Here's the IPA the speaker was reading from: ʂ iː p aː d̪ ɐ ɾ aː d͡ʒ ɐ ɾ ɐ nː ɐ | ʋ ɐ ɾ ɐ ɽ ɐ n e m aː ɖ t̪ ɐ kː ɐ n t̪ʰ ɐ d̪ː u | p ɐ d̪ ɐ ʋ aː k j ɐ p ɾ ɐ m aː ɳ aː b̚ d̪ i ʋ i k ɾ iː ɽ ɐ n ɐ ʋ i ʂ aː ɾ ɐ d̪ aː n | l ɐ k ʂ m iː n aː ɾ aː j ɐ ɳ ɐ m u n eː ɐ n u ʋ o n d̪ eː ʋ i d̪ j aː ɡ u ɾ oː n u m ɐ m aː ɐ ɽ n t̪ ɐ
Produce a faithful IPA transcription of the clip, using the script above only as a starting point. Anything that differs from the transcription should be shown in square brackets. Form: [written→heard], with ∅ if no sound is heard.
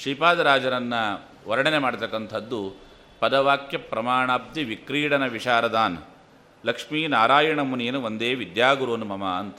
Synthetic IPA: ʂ iː p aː d̪ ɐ ɾ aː d͡ʒ ɐ ɾ ɐ nː ɐ | ʋ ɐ ɾ ɐ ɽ ɐ n e m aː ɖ t̪ ɐ kː ɐ n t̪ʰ ɐ d̪ː u | p ɐ d̪ ɐ ʋ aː k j ɐ p ɾ ɐ m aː ɳ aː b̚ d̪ i ʋ i k ɾ iː ɽ ɐ n ɐ ʋ i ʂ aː ɾ ɐ d̪ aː n | l ɐ k ʂ m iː n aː ɾ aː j ɐ ɳ ɐ m u n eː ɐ n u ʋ o n d̪ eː ʋ i d̪ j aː ɡ u ɾ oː n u m ɐ m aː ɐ [ɽ→∅] n t̪ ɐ